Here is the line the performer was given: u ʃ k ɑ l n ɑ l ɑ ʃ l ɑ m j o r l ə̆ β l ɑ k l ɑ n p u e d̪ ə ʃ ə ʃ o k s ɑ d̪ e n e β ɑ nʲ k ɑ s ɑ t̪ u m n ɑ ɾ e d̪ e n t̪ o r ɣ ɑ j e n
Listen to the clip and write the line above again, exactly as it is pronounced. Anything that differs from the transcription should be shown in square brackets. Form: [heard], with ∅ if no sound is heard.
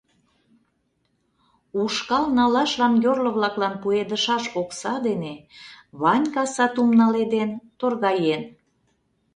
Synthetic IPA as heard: u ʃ k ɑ l n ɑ l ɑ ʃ l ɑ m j o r l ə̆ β l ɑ k l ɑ n p u e d̪ ə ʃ [ɑ] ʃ o k s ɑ d̪ e n e β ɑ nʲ k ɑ s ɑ t̪ u m n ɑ [l] e d̪ e n t̪ o r ɣ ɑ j e n

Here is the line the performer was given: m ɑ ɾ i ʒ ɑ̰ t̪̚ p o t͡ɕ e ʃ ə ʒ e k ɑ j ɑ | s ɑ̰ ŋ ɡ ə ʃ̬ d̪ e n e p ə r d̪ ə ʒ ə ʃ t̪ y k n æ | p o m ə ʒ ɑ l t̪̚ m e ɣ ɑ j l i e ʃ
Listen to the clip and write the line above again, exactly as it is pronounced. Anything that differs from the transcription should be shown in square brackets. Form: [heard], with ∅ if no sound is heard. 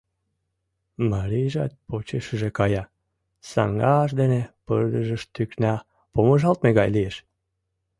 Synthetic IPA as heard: m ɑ ɾ i ʒ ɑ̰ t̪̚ p o t͡ɕ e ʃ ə ʒ e k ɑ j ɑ | s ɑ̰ ŋ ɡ [ɑ] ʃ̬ d̪ e n e p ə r d̪ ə ʒ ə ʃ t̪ y k n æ | p o m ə ʒ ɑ l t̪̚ m e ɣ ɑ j l i e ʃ

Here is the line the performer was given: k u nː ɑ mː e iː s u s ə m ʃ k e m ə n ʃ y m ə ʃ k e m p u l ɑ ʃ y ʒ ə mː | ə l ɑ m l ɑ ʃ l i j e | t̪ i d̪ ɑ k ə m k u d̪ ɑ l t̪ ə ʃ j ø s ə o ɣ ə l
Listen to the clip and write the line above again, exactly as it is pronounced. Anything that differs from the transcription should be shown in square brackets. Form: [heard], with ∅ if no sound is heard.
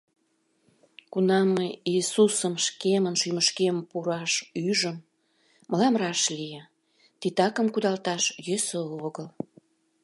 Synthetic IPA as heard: k u [n] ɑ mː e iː s u s ə m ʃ k e m ə n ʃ y m ə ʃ k e m p u [ɾ] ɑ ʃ y ʒ ə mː | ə l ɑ m [r] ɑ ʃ l i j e | t̪ i [t̪] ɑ k ə m k u d̪ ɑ l t̪ [ɑ] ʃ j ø s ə o ɣ ə l

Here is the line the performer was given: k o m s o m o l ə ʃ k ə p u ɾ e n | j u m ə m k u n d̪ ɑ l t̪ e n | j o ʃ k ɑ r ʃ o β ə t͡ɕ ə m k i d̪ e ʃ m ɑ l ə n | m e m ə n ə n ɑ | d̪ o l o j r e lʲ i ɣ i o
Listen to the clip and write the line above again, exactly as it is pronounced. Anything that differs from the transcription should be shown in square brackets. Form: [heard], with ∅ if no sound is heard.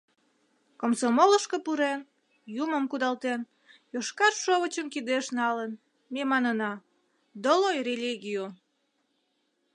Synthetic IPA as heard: k o m s o m o l ə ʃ k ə p u ɾ e n | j u m ə m k u [∅] d̪ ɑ l t̪ e n | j o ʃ k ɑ r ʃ o β ə t͡ɕ ə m k i d̪ e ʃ [n] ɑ l ə n | m e m [ɑ] n ə n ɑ | d̪ o l o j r e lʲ i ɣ i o

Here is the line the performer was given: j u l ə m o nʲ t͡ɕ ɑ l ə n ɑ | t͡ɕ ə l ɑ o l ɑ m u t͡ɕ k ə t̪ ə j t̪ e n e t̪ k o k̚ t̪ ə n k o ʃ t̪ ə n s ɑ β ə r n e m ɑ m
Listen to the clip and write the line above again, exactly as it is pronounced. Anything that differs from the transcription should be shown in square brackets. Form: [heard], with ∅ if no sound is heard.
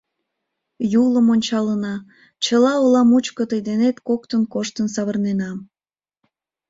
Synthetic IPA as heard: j u l ə m o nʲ t͡ɕ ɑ l ə n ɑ | t͡ɕ ə l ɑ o l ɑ m u t͡ɕ k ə t̪ ə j [d̪] e n e t̪ k o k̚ t̪ ə n k o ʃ t̪ ə n s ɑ β ə r n e [n] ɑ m

